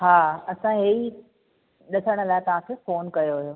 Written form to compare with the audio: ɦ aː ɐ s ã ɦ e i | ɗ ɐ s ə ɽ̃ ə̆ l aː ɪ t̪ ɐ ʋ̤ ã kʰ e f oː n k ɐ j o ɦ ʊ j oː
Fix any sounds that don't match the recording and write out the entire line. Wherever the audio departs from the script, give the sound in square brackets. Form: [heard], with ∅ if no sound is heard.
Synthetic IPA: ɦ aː ɐ s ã ɦ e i | ɗ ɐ s ə ɽ̃ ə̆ l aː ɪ t̪ ɐ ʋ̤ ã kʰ e f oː n k ɐ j o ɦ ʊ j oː